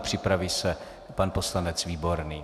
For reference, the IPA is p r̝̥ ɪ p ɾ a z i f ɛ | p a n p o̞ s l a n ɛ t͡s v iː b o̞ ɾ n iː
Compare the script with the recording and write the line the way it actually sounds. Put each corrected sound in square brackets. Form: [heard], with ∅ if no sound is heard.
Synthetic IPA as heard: p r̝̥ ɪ p ɾ a [v] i [s] ɛ | p a n p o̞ s l a n ɛ t͡s v iː b o̞ ɾ n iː